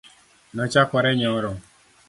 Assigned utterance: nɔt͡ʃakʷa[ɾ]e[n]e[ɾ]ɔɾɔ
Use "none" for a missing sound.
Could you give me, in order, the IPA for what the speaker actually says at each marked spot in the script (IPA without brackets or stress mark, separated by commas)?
ɾ, ɲ, none